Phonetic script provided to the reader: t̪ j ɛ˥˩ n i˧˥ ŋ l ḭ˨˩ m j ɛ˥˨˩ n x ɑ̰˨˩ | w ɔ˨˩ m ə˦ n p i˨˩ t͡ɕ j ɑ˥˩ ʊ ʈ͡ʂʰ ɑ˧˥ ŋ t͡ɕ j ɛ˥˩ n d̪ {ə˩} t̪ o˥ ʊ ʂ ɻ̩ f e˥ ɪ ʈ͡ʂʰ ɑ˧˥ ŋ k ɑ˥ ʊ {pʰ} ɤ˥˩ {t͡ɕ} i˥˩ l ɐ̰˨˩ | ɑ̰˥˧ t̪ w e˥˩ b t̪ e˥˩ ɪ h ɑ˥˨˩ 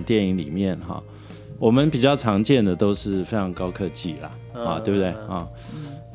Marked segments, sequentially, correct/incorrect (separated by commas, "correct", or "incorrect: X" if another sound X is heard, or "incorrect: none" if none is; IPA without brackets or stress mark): correct, incorrect: kʰ, correct